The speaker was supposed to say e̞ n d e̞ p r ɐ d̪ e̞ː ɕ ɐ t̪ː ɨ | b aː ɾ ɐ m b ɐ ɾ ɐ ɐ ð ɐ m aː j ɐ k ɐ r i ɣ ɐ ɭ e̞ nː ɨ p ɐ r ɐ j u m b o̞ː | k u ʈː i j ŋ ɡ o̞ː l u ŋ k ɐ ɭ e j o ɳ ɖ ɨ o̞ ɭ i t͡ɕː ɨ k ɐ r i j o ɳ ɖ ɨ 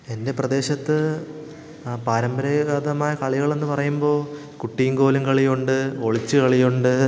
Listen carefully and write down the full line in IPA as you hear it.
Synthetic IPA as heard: e̞ n d e̞ p r ɐ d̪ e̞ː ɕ ɐ t̪ː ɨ | p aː ɾ ɐ m b ɐ ɾ ɐ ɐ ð ɐ m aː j ɐ k ɐ ɭ i ɣ ɐ ɭ e̞ nː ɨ p ɐ r ɐ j u m b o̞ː | k u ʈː i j ŋ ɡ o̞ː l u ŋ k ɐ ɭ i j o ɳ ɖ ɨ o̞ ɭ i t͡ɕː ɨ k ɐ ɭ i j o ɳ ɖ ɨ